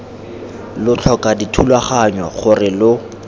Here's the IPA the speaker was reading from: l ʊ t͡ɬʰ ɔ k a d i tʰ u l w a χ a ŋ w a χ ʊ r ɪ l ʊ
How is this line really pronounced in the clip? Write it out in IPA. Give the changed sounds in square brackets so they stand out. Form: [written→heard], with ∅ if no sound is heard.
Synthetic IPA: l ʊ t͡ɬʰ ɔ k a d i tʰ u l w a χ a [ŋ→ɲ] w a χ ʊ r ɪ l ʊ